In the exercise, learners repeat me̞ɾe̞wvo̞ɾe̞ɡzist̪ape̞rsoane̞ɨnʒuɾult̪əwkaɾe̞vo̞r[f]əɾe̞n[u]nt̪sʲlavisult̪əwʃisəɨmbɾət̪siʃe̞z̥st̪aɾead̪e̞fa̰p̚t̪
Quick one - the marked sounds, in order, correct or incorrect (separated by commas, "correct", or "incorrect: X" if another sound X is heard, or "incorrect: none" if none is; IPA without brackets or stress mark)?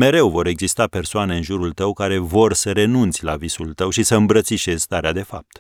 incorrect: s, correct